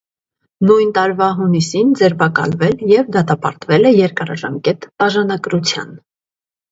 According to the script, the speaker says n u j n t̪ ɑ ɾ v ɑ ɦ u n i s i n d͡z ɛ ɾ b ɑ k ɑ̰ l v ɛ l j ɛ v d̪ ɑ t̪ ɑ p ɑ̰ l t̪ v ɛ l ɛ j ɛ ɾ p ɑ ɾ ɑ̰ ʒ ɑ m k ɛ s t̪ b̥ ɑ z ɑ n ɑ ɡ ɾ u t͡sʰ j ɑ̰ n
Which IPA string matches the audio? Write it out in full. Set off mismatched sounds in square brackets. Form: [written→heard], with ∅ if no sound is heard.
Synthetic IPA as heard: n u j n t̪ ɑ ɾ v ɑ ɦ u n i s i n d͡z ɛ ɾ b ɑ k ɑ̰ l v ɛ l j ɛ v d̪ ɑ t̪ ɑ p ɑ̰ [l→ɾ] t̪ v ɛ l ɛ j ɛ ɾ [p→k] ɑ ɾ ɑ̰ ʒ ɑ m k ɛ [s→∅] t̪ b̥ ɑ [z→ʒ] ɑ n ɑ ɡ ɾ u t͡sʰ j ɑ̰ n

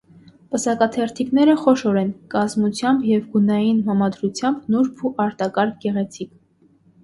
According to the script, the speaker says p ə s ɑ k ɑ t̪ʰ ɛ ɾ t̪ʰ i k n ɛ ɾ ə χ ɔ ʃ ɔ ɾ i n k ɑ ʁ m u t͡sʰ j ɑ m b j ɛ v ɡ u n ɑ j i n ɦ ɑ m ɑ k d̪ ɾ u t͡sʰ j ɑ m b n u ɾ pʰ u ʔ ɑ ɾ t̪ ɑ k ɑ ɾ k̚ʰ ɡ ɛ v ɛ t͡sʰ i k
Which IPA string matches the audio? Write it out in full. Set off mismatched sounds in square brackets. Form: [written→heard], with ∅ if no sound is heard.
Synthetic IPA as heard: p ə s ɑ k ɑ t̪ʰ ɛ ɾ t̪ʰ i k n ɛ ɾ ə χ ɔ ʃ ɔ ɾ [i→ɛ] n k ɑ [ʁ→z] m u t͡sʰ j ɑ m b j ɛ v ɡ u n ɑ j i n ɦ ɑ m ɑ [k→∅] d̪ ɾ u t͡sʰ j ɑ m b n u ɾ pʰ u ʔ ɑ ɾ t̪ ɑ k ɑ ɾ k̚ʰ ɡ ɛ [v→ʁ] ɛ t͡sʰ i k

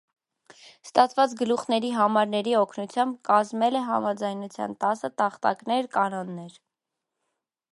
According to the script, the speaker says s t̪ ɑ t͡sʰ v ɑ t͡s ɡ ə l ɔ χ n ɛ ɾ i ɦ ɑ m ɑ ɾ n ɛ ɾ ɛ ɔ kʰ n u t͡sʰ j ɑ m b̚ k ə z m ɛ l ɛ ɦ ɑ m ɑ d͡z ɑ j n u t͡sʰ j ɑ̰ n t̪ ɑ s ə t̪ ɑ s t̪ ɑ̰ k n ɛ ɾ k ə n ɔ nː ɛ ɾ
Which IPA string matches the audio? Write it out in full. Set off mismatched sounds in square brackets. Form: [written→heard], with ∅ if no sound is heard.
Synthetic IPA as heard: s t̪ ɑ t͡sʰ v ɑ t͡s ɡ ə l [ɔ→u] χ n ɛ ɾ i ɦ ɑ m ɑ ɾ n ɛ ɾ [ɛ→i] ɔ kʰ n u t͡sʰ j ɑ m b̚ k [ə→ɑ] z m ɛ l ɛ ɦ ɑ m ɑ d͡z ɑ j n u t͡sʰ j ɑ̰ n t̪ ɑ s ə t̪ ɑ [s→χ] t̪ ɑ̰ k n ɛ ɾ k [ə→ɑ] n ɔ nː ɛ ɾ

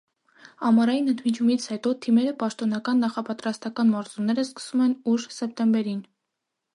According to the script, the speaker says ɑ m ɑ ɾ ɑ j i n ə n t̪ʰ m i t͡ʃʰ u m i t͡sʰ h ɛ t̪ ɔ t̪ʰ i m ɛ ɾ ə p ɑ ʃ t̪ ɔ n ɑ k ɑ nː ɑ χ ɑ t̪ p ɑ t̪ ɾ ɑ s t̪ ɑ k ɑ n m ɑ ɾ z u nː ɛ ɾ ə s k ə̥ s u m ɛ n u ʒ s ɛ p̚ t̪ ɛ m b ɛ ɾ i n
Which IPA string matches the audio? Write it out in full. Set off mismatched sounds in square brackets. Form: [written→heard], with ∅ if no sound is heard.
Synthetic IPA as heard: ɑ m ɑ ɾ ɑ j i n ə n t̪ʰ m i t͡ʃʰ u m i t͡sʰ h ɛ t̪ ɔ t̪ʰ i m ɛ ɾ ə p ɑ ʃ t̪ ɔ n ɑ k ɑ nː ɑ χ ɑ [t̪→∅] p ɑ t̪ ɾ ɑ s t̪ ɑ k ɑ n m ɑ ɾ z u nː ɛ ɾ ə s k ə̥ s u m ɛ n u ʒ s ɛ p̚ t̪ ɛ m b ɛ ɾ i n

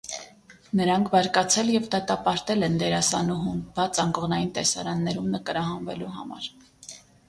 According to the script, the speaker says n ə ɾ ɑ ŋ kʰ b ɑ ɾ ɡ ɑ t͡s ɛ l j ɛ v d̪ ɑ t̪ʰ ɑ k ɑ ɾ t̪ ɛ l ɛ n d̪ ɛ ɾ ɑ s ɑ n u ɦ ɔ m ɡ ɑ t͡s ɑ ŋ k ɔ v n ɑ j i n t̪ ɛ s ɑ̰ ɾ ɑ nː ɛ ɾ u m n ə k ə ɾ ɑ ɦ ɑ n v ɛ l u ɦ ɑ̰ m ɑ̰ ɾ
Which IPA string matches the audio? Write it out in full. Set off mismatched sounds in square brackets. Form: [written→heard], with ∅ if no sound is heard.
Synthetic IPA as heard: n ə ɾ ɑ ŋ kʰ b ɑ ɾ [ɡ→k] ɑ [t͡s→t͡sʰ] ɛ l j ɛ v d̪ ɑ [t̪ʰ→t̪] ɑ [k→p] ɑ ɾ t̪ ɛ l ɛ n d̪ ɛ ɾ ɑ s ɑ n u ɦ [ɔ→u] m [ɡ→b] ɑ t͡s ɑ ŋ k ɔ [v→ʁ] n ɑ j i n t̪ ɛ s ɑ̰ ɾ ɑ nː ɛ ɾ u m n ə k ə ɾ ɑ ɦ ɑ n v ɛ l u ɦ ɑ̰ m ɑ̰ ɾ

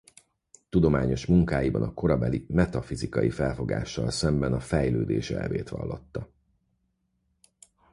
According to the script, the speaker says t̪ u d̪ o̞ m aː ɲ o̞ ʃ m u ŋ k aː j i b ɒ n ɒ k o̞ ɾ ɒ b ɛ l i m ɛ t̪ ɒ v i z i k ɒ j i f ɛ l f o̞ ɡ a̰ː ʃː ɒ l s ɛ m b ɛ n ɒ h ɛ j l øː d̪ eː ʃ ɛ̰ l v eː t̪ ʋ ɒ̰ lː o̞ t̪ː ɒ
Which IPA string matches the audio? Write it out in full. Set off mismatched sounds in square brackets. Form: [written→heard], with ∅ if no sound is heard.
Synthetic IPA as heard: t̪ u d̪ o̞ m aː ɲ o̞ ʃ m u ŋ k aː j i b ɒ n ɒ k o̞ ɾ ɒ b ɛ l i m ɛ t̪ ɒ [v→f] i z i k ɒ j i f ɛ l f o̞ ɡ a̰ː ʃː ɒ l s ɛ m b ɛ n ɒ [h→f] ɛ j l øː d̪ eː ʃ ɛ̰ l v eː t̪ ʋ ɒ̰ lː o̞ t̪ː ɒ

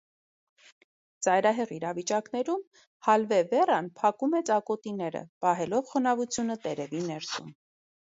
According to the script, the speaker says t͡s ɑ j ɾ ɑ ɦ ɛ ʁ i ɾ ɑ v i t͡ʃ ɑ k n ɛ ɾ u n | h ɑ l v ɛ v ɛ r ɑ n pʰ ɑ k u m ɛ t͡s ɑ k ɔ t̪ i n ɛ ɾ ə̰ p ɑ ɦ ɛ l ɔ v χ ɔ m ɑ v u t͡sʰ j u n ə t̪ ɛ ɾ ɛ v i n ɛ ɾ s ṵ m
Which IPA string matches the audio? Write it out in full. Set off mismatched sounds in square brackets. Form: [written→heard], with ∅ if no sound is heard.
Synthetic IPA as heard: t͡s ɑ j ɾ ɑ ɦ ɛ ʁ i ɾ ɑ v i t͡ʃ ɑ k n ɛ ɾ u [n→m] | h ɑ l v ɛ v ɛ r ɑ n pʰ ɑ k u m ɛ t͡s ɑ k ɔ t̪ i n ɛ ɾ ə̰ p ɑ ɦ ɛ l ɔ v χ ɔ [m→n] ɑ v u t͡sʰ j u n ə t̪ ɛ ɾ ɛ v i n ɛ ɾ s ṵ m

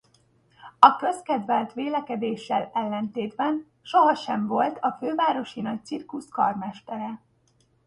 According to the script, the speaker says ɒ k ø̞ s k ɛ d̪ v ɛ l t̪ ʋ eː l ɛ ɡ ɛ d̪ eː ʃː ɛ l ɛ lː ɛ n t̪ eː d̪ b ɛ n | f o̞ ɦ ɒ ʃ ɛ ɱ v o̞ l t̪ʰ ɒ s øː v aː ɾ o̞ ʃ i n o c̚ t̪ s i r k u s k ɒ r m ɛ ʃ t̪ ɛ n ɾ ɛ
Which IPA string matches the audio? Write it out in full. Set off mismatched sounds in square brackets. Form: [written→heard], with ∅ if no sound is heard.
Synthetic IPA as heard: ɒ k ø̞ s k ɛ d̪ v ɛ l t̪ ʋ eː l ɛ [ɡ→k] ɛ d̪ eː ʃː ɛ l ɛ lː ɛ n t̪ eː d̪ b ɛ n | [f→ʃ] o̞ ɦ ɒ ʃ ɛ ɱ v o̞ l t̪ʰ ɒ [s→f] øː v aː ɾ o̞ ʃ i n [o→ɒ] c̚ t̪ s i r k u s k ɒ r m ɛ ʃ t̪ ɛ [n→∅] ɾ ɛ

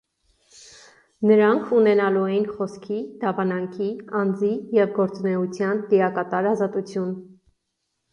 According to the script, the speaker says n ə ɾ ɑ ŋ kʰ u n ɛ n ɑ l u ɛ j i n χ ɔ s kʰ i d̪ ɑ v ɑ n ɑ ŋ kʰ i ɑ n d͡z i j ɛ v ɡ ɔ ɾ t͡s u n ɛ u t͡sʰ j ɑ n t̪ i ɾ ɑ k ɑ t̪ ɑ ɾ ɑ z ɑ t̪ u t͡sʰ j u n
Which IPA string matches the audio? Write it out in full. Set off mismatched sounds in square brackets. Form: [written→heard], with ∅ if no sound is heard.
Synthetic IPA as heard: n ə ɾ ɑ ŋ kʰ u n ɛ n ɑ l u ɛ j i n χ ɔ s kʰ i d̪ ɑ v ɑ n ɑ ŋ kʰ i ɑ n d͡z i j ɛ v ɡ ɔ ɾ t͡s u n ɛ u t͡sʰ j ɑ n t̪ i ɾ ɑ k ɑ t̪ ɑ ɾ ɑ z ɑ t̪ u t͡sʰ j u n

